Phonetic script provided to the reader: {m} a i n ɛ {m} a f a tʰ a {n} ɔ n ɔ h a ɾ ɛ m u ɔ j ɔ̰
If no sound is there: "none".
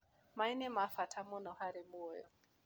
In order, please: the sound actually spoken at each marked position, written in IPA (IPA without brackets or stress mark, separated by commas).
m, m, m